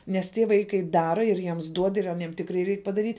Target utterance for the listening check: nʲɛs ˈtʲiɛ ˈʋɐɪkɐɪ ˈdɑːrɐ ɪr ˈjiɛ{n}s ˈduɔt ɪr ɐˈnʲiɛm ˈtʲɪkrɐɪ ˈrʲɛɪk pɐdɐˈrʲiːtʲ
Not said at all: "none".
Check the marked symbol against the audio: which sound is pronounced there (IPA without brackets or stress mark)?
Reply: m